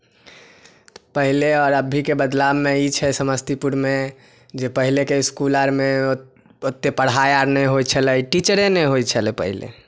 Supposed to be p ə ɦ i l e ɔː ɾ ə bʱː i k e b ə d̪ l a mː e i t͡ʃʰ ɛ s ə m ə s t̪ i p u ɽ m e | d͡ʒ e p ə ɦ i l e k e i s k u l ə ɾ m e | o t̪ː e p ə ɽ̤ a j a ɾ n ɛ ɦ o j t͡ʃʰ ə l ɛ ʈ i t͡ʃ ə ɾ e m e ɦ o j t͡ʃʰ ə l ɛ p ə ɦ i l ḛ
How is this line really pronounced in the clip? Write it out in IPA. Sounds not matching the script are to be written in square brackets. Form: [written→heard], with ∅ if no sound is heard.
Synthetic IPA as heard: p ə ɦ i l e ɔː ɾ ə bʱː i k e b ə d̪ l a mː e i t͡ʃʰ ɛ s ə m ə s t̪ i p u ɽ m e | d͡ʒ e p ə ɦ i l e k e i s k u l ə ɾ m e | o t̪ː e p ə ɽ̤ a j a ɾ n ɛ ɦ o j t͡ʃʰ ə l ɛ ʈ i t͡ʃ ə ɾ e [m→n] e ɦ o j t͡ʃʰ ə l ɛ p ə ɦ i l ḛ

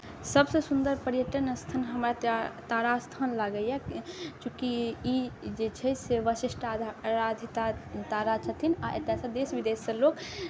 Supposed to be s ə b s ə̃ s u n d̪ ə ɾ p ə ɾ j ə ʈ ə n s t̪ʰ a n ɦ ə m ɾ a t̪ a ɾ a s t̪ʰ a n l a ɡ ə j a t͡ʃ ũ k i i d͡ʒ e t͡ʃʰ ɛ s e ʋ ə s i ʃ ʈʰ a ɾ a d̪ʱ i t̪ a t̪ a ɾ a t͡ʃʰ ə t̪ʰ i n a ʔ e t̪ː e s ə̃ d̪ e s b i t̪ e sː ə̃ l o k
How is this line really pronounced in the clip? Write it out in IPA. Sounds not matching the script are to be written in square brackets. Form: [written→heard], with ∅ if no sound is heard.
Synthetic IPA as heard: s ə b s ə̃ s u n d̪ ə ɾ p ə ɾ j ə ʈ ə n s t̪ʰ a n ɦ ə m ɾ a t̪ a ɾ a s t̪ʰ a n l a ɡ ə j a t͡ʃ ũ k i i d͡ʒ e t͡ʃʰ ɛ s e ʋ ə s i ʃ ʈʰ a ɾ a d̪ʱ i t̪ a t̪ a ɾ a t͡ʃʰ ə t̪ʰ i n a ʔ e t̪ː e s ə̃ d̪ e s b i [t̪→d̪] e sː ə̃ l o k

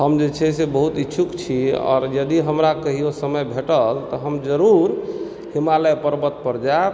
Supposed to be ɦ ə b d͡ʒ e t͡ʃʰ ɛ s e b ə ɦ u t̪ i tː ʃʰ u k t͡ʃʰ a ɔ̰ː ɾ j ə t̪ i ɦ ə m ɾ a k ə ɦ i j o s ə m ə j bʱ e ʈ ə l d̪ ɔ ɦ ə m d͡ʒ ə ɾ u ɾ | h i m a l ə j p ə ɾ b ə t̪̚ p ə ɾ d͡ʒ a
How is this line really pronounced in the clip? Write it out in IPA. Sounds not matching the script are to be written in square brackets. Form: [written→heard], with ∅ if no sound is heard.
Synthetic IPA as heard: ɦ ə [b→m] d͡ʒ e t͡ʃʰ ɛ s e b ə ɦ u t̪ i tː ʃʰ u k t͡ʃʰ [a→i] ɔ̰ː ɾ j ə [t̪→d̪] i ɦ ə m ɾ a k ə ɦ i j o s ə m ə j bʱ e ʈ ə l [d̪→t̪] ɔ ɦ ə m d͡ʒ ə ɾ u ɾ | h i m a l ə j p ə ɾ b ə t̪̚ p ə ɾ d͡ʒ a

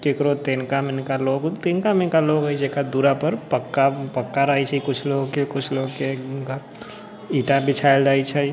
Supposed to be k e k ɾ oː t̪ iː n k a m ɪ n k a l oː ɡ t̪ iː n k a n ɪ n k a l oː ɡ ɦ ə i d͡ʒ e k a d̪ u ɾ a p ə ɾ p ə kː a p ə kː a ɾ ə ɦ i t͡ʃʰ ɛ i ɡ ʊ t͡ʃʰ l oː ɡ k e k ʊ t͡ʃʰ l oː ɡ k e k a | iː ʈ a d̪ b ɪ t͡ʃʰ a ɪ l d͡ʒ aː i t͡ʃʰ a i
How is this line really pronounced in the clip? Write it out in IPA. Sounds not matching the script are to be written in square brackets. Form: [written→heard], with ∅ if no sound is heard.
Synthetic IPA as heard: k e k ɾ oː t̪ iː n k a m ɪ n k a l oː ɡ t̪ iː n k a [n→m] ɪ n k a l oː ɡ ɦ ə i d͡ʒ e k a d̪ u ɾ a p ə ɾ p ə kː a p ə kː a ɾ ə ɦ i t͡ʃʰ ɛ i [ɡ→k] ʊ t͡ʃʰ l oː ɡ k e k ʊ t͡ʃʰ l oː ɡ k e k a | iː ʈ a [d̪→∅] b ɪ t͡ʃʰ a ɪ l d͡ʒ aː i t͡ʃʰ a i

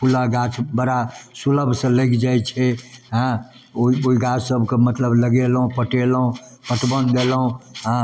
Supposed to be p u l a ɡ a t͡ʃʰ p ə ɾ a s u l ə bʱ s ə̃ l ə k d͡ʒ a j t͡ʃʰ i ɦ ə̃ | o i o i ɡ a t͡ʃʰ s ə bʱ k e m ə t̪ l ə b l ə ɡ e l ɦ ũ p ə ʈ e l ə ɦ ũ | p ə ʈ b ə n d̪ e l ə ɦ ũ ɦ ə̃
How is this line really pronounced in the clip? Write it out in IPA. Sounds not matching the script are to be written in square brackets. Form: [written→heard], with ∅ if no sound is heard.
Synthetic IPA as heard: p u l a ɡ a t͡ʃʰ [p→b] ə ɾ a s u l ə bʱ s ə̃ l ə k d͡ʒ a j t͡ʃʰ [i→ɛ] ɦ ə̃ | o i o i ɡ a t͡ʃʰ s ə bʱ k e m ə t̪ l ə b l ə ɡ e l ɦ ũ p ə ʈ e l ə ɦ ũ | p ə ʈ b ə n d̪ e l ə ɦ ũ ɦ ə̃

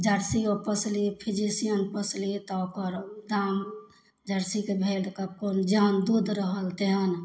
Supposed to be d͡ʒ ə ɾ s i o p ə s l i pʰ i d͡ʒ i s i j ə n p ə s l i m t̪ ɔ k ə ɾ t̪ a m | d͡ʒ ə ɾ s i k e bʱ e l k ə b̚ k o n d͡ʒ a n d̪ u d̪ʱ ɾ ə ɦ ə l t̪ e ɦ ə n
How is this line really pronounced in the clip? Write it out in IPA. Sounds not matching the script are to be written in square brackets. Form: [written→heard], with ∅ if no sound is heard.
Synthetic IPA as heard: d͡ʒ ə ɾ s i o p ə s l i pʰ i d͡ʒ i s i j ə n p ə s l i [m→∅] t̪ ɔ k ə ɾ [t̪→d̪] a m | d͡ʒ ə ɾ s i k e bʱ e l k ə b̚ k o n d͡ʒ a n d̪ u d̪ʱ ɾ ə ɦ ə l t̪ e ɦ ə n

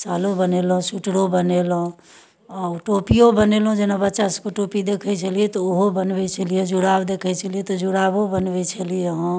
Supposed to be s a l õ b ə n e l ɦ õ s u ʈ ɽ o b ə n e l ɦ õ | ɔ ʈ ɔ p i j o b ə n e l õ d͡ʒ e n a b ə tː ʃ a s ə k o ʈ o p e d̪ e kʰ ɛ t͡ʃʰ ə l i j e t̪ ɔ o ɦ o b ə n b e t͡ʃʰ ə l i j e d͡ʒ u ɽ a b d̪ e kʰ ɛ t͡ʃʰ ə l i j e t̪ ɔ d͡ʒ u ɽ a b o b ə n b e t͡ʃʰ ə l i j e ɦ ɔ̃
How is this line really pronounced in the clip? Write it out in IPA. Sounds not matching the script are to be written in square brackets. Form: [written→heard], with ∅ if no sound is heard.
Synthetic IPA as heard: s a l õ b ə n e l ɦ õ s u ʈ ɽ o b ə n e l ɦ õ | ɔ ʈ [ɔ→o] p i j o b ə n e l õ d͡ʒ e n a b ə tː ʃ a s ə k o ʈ o p [e→i] d̪ e kʰ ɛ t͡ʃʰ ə l i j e t̪ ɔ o ɦ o b ə n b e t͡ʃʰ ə l i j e d͡ʒ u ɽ a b d̪ e kʰ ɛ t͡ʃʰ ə l i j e t̪ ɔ d͡ʒ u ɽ a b o b ə n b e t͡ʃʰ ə l i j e ɦ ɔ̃

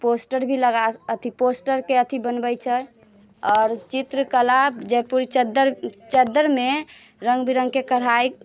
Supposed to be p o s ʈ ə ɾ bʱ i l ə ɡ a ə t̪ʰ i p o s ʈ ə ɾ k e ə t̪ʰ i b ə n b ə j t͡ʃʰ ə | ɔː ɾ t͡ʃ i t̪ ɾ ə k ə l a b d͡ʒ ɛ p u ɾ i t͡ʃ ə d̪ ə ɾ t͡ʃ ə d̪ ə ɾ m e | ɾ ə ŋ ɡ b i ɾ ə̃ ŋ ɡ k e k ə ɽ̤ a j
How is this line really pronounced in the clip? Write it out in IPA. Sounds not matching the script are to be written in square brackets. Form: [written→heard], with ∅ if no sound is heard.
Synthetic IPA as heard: p o s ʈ ə ɾ bʱ i l ə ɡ a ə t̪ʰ i p o s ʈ ə ɾ k e ə t̪ʰ i b ə n b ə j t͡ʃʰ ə | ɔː ɾ t͡ʃ i t̪ ɾ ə k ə l a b d͡ʒ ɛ p u ɾ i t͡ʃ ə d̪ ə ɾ t͡ʃ ə d̪ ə ɾ m e | ɾ ə ŋ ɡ b i ɾ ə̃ ŋ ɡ k e k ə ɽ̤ a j

